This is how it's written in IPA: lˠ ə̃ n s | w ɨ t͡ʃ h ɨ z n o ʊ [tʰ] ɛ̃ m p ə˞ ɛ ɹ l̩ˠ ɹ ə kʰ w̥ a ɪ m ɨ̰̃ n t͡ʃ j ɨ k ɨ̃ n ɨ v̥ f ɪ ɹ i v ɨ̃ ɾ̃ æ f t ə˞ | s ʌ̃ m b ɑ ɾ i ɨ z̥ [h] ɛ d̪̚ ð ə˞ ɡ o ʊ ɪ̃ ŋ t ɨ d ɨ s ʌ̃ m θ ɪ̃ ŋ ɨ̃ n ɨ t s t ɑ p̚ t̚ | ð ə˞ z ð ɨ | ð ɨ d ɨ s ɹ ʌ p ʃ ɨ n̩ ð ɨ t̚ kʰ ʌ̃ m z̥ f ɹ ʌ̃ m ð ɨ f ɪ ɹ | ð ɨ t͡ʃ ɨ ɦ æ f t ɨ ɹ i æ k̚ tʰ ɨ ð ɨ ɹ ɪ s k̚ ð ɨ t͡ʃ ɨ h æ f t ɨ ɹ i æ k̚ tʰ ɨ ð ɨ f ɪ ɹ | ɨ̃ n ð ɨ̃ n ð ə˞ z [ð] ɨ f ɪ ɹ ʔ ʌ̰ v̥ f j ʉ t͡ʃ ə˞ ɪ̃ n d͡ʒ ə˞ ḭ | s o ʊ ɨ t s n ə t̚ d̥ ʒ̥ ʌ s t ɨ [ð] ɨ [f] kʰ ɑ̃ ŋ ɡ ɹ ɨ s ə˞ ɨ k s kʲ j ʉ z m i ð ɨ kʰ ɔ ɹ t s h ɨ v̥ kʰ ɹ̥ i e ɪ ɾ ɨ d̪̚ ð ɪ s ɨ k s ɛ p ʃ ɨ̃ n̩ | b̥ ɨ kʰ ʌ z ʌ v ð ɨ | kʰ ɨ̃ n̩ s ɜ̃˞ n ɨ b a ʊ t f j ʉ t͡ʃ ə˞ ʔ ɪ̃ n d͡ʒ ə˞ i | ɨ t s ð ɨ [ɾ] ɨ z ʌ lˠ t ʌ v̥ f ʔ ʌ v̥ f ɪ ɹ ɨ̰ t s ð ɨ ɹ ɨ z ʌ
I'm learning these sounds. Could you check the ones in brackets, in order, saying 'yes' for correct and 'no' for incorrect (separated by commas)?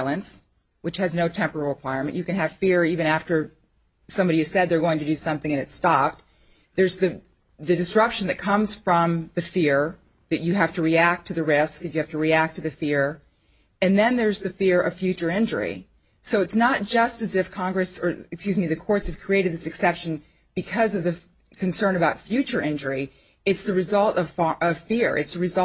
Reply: yes, no, yes, no, yes, no